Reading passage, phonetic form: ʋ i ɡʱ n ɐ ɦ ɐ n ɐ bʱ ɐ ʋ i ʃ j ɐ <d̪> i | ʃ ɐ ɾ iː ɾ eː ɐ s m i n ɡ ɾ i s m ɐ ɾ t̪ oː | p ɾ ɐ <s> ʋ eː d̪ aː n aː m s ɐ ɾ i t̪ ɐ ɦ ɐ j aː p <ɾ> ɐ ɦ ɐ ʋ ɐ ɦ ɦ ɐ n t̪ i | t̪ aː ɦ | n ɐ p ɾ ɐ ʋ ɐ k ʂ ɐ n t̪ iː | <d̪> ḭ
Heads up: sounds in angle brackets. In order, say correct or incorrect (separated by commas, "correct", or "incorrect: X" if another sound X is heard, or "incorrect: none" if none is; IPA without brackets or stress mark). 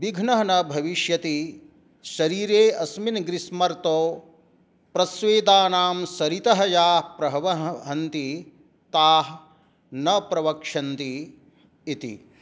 incorrect: t̪, correct, correct, incorrect: t̪